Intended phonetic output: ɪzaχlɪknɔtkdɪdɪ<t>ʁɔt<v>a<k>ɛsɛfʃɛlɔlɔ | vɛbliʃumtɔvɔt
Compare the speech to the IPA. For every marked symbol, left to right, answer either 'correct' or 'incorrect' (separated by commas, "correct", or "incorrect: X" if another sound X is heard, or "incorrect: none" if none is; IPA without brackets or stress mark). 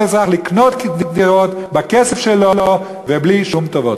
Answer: incorrect: none, incorrect: b, correct